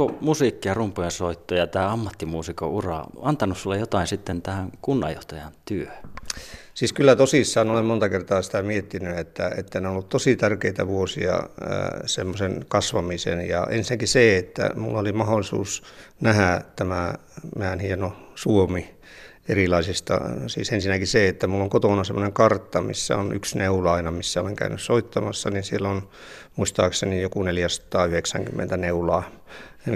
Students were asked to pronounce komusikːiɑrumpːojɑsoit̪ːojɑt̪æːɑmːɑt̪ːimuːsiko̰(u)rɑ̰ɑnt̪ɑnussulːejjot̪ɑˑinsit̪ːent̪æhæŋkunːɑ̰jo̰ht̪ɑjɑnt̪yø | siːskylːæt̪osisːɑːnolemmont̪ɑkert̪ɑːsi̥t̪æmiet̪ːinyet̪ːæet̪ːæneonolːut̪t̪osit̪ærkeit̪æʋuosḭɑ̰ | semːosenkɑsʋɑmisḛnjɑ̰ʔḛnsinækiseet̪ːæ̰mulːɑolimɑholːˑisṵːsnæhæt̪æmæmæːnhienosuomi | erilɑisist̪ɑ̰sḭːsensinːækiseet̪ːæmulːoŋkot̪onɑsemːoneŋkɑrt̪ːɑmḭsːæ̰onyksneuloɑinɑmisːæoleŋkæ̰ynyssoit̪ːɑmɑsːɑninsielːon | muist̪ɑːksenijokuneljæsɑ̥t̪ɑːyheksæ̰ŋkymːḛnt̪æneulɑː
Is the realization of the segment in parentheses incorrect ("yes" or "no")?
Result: no